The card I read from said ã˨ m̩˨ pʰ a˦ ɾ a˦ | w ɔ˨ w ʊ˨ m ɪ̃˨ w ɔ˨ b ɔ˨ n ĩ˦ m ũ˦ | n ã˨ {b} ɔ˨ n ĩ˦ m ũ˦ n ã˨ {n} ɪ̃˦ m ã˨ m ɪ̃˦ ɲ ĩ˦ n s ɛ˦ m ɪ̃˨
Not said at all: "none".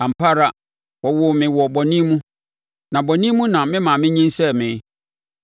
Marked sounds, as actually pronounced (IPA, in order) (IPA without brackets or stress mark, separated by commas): b, m